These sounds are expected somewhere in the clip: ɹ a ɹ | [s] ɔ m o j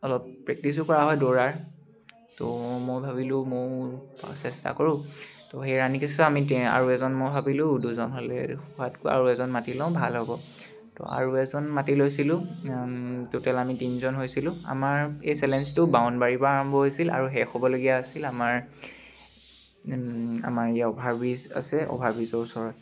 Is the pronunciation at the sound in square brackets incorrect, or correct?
incorrect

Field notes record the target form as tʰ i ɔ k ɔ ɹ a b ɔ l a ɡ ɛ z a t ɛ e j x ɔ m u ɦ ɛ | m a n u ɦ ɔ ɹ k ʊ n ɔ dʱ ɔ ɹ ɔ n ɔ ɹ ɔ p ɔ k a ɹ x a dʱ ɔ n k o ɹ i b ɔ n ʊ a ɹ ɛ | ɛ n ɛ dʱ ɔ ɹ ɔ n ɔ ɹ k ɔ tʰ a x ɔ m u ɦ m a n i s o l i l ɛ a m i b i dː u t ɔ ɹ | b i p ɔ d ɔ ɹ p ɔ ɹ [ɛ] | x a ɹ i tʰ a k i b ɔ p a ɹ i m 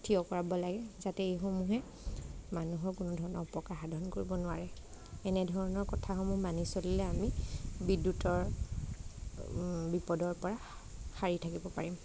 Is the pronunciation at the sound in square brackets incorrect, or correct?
incorrect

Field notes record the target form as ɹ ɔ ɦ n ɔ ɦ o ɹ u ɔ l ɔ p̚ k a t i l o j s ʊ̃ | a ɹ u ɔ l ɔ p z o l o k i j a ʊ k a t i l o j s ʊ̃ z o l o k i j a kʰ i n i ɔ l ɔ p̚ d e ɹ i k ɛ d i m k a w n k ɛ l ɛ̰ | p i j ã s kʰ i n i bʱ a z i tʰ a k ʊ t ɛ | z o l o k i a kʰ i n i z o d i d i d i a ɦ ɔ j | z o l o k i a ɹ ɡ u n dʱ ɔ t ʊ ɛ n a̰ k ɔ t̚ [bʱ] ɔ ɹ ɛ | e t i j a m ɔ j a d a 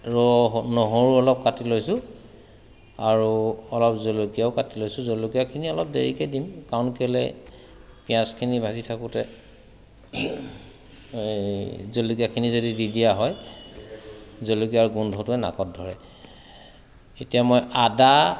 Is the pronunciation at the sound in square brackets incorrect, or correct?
incorrect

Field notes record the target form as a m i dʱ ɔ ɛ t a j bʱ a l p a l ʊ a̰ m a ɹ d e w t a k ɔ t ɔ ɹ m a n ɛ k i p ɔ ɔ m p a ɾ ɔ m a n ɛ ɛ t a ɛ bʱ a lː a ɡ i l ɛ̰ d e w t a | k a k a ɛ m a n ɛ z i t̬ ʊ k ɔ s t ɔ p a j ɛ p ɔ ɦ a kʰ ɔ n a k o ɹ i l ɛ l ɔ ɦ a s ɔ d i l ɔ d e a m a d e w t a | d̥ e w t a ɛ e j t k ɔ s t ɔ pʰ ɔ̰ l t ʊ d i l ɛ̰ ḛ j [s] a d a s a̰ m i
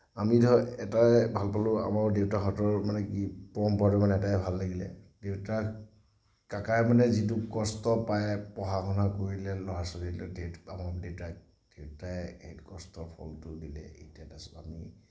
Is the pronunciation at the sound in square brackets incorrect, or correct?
incorrect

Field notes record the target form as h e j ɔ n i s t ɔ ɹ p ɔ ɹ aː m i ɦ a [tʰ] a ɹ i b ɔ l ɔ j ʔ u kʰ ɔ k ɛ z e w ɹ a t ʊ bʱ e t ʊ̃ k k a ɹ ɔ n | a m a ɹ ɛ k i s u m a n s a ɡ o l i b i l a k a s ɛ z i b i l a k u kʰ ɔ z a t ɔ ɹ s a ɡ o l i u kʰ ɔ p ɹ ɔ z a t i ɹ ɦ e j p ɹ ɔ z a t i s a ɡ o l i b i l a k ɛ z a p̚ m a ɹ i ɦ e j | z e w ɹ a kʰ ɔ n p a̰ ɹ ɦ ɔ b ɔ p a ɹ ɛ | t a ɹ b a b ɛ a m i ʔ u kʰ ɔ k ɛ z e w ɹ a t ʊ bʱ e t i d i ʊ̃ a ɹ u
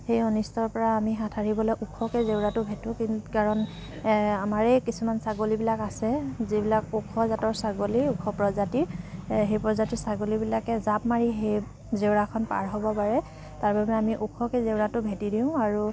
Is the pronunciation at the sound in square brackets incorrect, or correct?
correct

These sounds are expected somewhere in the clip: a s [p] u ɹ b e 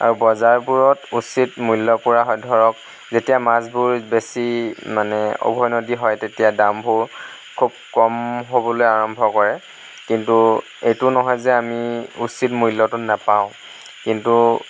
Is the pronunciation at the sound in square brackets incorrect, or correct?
incorrect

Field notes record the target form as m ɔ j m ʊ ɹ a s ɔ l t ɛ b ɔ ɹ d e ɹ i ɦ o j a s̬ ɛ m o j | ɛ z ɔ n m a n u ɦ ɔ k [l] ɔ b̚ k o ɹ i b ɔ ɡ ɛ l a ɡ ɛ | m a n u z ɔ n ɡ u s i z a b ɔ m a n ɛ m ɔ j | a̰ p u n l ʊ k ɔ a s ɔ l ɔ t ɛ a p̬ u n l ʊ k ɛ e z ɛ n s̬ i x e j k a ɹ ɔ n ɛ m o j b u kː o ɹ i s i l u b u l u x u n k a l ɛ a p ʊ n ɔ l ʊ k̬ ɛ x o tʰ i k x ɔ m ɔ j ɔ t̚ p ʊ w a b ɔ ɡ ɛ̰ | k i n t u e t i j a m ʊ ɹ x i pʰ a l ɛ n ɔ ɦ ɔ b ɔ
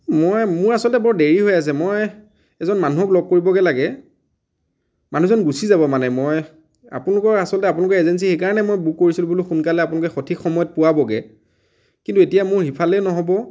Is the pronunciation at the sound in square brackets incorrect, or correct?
correct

